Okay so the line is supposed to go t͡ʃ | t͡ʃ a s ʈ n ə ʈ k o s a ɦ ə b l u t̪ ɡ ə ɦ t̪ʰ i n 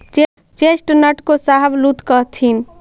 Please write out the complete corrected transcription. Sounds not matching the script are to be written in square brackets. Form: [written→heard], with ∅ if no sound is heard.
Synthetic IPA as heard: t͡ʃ | t͡ʃ [a→e] s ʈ n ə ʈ k o s a ɦ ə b l u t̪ [ɡ→k] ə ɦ t̪ʰ i n